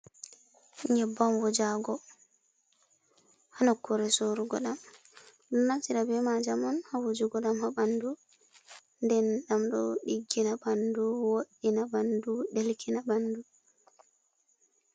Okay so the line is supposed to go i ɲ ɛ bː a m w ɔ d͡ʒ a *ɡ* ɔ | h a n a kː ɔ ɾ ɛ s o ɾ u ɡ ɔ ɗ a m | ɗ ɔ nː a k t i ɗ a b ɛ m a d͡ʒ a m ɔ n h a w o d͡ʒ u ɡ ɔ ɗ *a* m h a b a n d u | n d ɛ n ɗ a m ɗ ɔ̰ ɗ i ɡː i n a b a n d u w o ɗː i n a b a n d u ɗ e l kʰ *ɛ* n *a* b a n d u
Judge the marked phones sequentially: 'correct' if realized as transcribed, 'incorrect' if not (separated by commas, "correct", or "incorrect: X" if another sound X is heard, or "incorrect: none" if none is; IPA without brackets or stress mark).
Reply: correct, correct, incorrect: i, correct